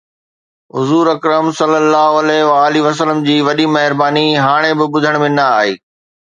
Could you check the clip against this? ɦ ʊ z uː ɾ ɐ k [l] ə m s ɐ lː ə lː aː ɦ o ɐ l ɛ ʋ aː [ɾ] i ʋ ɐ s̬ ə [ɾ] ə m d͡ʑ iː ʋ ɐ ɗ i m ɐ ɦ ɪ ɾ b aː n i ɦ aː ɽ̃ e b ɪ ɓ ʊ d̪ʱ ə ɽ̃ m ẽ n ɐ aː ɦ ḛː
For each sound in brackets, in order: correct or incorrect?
incorrect: ɾ, incorrect: l, incorrect: l

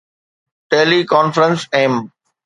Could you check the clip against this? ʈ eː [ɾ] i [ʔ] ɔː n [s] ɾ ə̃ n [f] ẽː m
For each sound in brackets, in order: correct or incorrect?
incorrect: l, incorrect: k, incorrect: f, incorrect: s

